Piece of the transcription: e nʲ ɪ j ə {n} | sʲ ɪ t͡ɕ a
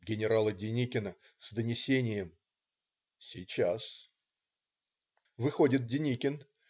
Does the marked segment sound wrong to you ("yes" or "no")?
yes